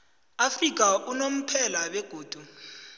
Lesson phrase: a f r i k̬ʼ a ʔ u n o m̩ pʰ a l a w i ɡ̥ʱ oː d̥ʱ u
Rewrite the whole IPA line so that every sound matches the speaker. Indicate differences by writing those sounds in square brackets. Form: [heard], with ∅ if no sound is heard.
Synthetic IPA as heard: a f r i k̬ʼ a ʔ u n o m̩ pʰ [ɛ] l a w [ɛ] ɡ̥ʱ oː d̥ʱ u